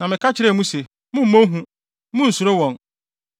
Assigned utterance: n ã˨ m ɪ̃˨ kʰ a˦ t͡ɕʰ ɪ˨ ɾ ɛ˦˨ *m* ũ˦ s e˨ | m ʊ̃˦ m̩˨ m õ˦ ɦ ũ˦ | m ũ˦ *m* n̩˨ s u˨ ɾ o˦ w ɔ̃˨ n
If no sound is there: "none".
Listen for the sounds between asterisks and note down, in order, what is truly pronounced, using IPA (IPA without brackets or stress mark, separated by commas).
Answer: m, none